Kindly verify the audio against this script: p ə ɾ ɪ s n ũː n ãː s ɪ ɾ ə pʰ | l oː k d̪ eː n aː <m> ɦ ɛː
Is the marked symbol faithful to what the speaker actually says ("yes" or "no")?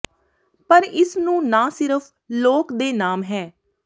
yes